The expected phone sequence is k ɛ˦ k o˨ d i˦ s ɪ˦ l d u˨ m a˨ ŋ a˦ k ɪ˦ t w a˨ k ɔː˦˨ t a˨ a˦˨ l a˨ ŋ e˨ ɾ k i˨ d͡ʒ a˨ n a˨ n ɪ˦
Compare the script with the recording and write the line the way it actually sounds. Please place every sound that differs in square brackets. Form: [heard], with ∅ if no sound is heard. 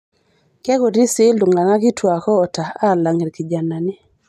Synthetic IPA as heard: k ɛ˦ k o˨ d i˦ s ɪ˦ l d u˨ [ŋ] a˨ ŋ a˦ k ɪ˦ t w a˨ k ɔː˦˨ t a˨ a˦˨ l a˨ ŋ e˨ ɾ k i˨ d͡ʒ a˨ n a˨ n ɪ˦

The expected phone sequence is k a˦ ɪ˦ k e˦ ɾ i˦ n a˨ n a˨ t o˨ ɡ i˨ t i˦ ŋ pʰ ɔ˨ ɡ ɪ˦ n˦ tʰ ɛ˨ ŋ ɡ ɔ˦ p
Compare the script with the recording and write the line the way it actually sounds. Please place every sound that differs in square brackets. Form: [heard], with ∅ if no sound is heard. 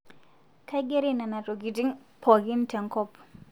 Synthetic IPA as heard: k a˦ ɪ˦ [ɡ] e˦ ɾ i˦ n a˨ n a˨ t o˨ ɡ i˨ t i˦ ŋ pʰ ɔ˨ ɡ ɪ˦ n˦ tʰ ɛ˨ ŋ [k] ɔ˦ p

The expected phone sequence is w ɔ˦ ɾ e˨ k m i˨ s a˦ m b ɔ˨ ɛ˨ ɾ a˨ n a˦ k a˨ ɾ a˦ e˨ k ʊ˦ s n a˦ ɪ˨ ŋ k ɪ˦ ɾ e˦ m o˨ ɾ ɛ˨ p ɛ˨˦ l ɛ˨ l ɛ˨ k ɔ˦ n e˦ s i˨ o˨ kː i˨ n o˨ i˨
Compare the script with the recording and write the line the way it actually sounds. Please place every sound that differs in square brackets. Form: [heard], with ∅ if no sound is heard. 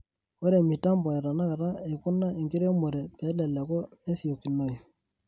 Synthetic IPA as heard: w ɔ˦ ɾ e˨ [∅] m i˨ [t] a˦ m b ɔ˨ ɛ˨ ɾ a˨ n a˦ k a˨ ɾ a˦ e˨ k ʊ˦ [∅] n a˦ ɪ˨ ŋ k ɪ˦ ɾ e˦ m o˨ ɾ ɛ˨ p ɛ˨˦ l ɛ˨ l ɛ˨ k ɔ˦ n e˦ s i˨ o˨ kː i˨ n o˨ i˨

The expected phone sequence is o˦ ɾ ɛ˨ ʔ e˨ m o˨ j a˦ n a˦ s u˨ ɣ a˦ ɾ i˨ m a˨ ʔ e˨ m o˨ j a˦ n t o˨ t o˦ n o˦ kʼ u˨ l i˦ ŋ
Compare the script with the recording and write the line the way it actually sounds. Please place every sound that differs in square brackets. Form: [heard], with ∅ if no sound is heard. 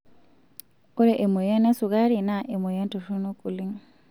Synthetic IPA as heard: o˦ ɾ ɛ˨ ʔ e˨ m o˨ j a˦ n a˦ s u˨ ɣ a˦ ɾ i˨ [n] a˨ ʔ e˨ m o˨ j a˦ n t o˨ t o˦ n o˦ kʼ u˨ l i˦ ŋ

